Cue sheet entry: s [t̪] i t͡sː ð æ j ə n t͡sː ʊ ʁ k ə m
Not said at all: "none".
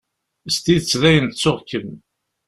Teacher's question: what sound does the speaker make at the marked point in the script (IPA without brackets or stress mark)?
t̪